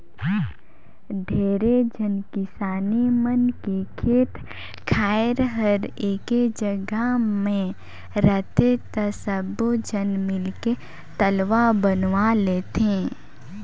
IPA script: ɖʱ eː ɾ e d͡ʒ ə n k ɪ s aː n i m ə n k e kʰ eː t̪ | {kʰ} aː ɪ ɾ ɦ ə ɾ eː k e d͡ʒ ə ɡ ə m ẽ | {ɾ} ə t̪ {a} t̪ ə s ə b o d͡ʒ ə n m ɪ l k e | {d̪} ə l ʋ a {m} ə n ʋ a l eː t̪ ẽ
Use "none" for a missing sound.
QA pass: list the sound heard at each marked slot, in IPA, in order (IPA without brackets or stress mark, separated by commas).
kʰ, ɾ, e, t̪, b